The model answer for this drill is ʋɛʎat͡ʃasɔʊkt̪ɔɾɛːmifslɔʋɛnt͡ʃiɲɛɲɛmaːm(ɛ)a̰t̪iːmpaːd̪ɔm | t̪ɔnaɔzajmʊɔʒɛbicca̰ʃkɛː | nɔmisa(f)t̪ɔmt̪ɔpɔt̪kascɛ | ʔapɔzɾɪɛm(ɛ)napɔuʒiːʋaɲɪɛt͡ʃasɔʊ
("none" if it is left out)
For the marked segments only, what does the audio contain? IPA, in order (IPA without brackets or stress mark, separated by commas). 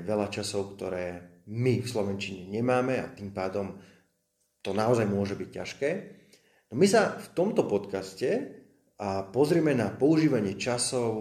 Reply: ɛ, f, ɛ